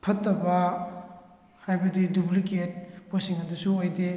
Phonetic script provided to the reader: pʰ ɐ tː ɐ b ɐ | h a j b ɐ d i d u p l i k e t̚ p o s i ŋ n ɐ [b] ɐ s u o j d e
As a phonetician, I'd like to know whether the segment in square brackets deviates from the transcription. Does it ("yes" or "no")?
yes